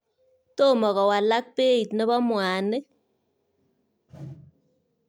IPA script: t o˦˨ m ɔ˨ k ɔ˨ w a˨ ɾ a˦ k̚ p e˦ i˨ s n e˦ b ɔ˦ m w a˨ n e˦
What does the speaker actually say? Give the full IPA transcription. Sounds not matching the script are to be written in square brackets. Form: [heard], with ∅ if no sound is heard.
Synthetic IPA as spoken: t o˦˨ m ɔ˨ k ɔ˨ w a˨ [l] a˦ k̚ p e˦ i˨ [t] n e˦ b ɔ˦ m w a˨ n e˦

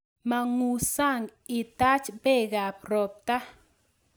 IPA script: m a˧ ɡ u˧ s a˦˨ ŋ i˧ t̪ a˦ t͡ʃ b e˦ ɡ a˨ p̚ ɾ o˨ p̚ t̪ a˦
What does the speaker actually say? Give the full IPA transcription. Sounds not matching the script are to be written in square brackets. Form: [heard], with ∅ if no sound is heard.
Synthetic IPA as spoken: m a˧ [ŋ] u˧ s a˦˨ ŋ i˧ t̪ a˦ t͡ʃ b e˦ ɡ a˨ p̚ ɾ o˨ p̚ t̪ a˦

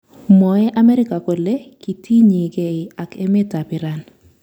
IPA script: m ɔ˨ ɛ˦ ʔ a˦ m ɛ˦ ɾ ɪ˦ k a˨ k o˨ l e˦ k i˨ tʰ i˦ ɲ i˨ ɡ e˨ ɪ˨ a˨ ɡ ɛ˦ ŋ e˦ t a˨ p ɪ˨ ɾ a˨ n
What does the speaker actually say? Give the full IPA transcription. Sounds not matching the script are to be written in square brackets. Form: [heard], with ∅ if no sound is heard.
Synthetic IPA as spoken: m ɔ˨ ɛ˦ ʔ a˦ m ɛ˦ ɾ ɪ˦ k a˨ k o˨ l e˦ k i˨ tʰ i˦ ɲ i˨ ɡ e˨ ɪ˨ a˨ [k] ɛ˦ [m] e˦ t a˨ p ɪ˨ ɾ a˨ n

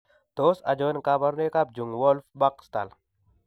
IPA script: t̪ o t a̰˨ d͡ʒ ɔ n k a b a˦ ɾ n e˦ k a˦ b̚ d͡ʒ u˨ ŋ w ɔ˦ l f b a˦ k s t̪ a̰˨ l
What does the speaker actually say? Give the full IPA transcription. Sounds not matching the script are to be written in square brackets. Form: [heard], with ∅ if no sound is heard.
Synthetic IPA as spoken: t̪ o [s] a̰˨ d͡ʒ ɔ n k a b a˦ ɾ n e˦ k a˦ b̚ d͡ʒ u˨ ŋ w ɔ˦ l f b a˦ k s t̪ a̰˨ l

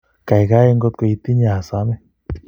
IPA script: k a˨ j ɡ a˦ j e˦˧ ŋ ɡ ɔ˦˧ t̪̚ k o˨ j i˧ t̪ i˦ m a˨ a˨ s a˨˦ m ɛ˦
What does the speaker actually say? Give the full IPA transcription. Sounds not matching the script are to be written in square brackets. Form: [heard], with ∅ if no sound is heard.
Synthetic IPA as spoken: k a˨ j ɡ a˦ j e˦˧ ŋ ɡ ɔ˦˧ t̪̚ k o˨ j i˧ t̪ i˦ [ɲ] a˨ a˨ s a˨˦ m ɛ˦

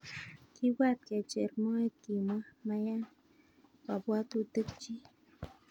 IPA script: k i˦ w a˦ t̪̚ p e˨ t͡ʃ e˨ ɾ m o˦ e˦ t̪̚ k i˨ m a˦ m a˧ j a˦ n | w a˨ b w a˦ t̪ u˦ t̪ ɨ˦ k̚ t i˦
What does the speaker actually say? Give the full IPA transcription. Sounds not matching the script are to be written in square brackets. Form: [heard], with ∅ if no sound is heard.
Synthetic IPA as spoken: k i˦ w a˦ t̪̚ [k] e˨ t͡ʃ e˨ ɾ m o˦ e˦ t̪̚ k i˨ m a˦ m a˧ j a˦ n | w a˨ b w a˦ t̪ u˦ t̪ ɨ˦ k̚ [t͡ʃ] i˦

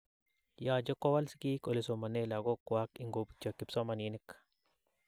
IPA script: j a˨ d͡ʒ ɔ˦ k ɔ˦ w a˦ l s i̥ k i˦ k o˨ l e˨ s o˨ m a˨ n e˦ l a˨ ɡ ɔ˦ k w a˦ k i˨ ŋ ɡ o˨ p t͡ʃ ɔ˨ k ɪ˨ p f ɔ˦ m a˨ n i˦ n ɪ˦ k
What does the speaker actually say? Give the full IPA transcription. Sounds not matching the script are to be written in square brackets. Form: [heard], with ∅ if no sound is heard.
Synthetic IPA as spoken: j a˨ d͡ʒ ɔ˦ k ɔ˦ w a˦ l s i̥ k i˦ k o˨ l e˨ s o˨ m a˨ n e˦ l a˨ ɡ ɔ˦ k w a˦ k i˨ ŋ ɡ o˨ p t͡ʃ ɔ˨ k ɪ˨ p [s] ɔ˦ m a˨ n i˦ n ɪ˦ k

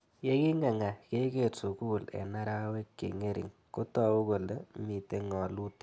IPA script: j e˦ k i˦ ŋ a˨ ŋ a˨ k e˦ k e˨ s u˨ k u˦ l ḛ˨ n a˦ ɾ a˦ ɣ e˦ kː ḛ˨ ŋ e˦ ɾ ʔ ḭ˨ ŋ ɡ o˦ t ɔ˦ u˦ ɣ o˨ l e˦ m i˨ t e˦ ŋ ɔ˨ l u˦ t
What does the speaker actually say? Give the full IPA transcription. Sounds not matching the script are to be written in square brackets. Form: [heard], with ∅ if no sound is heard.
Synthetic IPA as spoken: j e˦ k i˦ ŋ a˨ ŋ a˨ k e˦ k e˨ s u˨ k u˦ l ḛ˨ n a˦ ɾ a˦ [w] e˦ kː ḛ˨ ŋ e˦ ɾ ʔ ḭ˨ ŋ [k] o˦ t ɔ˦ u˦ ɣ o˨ l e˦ m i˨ t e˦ ŋ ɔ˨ l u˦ t

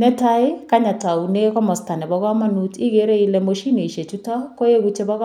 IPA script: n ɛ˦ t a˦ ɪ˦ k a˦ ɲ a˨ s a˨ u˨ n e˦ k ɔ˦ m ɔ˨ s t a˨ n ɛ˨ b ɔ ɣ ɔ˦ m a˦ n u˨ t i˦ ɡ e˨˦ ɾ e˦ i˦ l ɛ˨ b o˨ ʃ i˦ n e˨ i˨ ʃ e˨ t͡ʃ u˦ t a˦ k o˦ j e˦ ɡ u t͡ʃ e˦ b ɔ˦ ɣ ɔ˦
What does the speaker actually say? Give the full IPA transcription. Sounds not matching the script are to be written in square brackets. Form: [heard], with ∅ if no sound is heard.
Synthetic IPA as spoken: n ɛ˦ t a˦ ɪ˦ k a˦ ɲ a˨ [t] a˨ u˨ n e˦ k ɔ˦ m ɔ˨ s t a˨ n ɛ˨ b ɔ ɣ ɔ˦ m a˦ n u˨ t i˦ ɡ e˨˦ ɾ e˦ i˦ l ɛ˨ [m] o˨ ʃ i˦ n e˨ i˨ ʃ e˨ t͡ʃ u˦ t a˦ k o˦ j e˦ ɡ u t͡ʃ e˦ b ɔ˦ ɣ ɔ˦

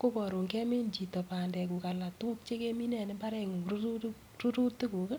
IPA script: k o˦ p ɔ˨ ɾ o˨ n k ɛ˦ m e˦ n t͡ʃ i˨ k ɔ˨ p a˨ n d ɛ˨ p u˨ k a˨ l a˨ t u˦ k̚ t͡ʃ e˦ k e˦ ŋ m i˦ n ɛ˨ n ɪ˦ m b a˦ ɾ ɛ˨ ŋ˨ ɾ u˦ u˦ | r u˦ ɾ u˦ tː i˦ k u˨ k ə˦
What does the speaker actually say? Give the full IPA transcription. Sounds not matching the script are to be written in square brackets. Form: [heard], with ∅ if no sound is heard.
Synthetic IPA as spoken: k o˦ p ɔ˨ ɾ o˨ [ŋ] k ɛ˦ m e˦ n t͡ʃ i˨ [t] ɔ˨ p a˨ n d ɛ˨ [k] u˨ k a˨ l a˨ t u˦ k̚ t͡ʃ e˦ k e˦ [∅] m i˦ n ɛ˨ n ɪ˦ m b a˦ ɾ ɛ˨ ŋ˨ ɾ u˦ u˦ | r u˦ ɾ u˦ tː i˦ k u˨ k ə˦

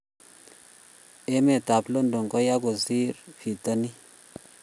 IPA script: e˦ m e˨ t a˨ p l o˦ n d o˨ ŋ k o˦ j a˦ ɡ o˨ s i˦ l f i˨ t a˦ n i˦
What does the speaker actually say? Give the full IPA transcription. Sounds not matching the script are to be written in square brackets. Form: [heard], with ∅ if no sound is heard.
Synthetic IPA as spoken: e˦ m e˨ t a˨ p l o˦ n d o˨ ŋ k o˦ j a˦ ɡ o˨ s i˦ [ɾ] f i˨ t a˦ n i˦

